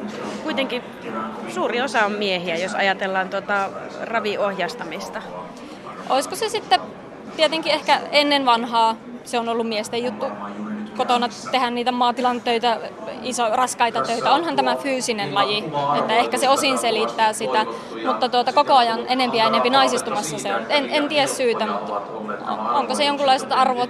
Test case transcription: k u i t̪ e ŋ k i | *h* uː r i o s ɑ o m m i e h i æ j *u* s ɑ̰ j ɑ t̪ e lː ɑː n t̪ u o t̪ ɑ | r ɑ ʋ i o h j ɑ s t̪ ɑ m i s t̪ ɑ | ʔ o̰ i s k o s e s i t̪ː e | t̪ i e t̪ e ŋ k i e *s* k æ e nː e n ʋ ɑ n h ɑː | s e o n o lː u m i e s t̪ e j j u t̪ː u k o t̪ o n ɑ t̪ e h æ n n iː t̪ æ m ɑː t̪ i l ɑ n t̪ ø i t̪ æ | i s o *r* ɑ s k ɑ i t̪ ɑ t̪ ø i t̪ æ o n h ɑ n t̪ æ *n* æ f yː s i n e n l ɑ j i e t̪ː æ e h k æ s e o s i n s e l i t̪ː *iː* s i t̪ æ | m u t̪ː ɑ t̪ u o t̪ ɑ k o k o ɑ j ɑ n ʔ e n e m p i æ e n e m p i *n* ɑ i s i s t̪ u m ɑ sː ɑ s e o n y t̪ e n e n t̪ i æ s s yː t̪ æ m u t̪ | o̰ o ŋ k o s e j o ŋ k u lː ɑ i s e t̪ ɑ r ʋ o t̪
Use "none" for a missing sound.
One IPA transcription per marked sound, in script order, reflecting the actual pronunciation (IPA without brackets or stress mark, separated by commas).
s, o, h, r, m, æː, n